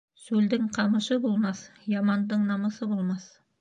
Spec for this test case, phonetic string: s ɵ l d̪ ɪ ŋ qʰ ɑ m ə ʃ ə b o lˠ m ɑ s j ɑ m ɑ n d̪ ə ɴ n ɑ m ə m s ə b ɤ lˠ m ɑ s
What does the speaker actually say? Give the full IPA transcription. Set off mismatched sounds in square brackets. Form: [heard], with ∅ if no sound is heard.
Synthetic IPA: s ɵ l d̪ ɪ ŋ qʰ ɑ m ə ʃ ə b o lˠ m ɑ s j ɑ m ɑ n d̪ ə ɴ n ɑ m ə [∅] s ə b [o] lˠ m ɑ s